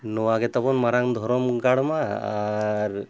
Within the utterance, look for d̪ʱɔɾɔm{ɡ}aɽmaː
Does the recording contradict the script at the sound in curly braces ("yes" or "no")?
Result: no